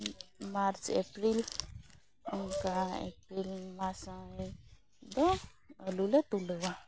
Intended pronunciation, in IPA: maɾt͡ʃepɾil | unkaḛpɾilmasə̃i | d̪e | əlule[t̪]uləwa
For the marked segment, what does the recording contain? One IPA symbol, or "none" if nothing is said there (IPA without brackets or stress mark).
t̪